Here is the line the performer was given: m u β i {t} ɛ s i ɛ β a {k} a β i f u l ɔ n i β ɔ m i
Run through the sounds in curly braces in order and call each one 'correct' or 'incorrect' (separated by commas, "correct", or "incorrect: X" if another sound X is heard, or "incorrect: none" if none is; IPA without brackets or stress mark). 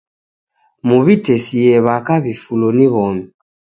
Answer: correct, correct